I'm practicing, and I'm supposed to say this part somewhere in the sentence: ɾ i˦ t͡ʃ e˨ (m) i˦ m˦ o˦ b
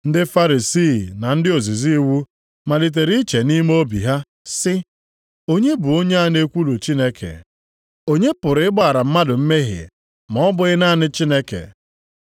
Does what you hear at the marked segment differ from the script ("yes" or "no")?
yes